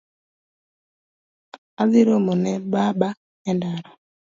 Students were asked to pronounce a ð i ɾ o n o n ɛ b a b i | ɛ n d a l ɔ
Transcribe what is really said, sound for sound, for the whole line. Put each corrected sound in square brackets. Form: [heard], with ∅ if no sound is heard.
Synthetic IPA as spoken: a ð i ɾ o [m] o n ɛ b a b [a] | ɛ n d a [ɾ] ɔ